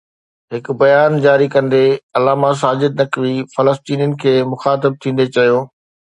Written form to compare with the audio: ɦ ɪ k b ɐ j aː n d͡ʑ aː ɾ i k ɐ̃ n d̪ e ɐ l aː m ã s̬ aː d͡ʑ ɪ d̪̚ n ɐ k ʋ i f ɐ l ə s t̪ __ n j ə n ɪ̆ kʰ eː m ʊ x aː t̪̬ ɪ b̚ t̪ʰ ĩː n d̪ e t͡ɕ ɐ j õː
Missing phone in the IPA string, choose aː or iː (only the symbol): iː